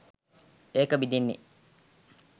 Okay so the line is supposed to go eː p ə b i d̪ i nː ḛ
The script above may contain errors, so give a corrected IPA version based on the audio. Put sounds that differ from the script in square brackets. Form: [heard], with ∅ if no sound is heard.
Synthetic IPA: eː [k] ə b i d̪ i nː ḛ